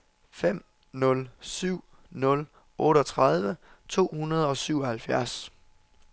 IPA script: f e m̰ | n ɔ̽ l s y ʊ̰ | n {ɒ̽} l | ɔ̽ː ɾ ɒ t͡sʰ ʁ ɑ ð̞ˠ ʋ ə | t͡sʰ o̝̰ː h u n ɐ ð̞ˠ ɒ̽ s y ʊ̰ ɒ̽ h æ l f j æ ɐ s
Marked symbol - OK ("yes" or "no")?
no